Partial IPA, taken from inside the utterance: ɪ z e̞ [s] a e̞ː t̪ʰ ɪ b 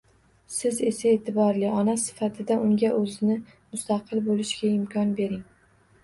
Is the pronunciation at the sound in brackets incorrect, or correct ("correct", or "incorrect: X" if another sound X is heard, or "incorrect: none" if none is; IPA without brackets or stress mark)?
correct